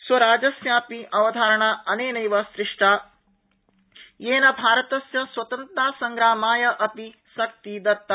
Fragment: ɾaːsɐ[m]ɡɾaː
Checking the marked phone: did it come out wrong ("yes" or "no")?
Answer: yes